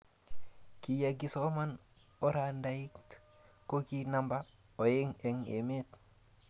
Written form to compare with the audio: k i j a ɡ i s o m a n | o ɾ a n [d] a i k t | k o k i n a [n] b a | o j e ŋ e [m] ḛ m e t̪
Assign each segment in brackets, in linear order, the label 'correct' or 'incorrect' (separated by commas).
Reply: correct, incorrect, incorrect